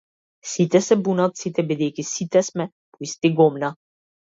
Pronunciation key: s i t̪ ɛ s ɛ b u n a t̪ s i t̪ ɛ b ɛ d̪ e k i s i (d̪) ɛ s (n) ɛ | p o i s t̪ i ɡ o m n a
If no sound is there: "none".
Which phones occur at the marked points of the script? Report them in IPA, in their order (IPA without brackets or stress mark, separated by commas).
t̪, m